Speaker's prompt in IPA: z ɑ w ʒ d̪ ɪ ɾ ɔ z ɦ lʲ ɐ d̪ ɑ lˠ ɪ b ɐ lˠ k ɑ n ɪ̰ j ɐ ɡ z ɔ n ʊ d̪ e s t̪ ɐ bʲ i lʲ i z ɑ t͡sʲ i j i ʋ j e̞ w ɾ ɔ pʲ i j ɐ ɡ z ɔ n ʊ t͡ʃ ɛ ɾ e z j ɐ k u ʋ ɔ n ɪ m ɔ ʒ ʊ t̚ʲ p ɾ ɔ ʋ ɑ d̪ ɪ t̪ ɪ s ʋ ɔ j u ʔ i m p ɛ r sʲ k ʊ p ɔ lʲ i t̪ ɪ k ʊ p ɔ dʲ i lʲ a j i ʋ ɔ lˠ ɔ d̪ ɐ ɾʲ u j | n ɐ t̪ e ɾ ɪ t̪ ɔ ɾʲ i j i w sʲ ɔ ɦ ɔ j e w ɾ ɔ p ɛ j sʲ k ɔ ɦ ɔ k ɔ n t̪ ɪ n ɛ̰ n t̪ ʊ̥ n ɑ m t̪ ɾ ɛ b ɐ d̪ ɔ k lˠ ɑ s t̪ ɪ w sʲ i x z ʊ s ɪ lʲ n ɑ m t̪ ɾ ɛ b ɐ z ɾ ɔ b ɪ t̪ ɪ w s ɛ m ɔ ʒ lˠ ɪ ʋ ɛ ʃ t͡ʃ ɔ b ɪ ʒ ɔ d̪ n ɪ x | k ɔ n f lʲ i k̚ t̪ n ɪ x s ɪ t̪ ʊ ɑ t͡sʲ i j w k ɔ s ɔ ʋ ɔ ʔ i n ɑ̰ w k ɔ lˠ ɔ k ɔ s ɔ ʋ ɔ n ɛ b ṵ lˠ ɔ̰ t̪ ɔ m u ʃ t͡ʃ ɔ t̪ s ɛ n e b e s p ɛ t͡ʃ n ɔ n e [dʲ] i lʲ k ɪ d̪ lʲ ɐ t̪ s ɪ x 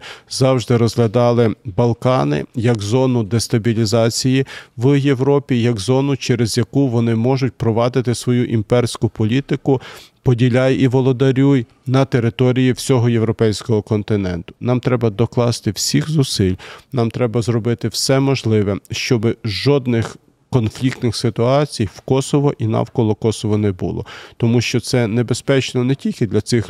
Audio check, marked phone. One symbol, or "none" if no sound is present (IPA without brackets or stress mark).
tʲ